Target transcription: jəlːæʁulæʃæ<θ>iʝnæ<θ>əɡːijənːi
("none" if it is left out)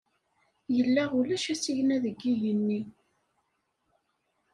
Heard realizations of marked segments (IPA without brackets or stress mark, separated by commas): s, ð